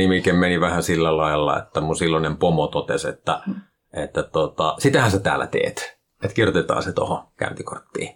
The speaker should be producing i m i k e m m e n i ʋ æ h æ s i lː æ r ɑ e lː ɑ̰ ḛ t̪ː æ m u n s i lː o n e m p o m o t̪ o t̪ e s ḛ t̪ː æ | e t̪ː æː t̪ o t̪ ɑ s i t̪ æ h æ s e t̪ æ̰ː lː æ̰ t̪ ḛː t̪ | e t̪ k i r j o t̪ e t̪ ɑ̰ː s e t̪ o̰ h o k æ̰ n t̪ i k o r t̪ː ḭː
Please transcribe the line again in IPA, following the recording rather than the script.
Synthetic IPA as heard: i m i k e m m e n i ʋ æ h æ s i lː æ l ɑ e lː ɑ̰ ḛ t̪ː æ m u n s i lː o n e m p o m o t̪ o t̪ e s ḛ t̪ː æ | e t̪ː æ t̪ o t̪ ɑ s i t̪ æ h æ s e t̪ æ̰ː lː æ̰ t̪ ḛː t̪ | e t̪ k i r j o t̪ e t̪ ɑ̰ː s e t̪ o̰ h o k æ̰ n t̪ i k o r t̪ː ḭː